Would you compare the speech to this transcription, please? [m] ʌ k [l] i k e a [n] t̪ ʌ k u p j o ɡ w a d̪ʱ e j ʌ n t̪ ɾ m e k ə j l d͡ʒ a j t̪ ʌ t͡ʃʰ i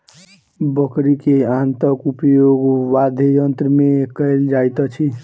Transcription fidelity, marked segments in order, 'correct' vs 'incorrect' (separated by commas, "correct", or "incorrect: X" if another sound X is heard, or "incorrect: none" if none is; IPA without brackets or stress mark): incorrect: b, incorrect: ɾ, correct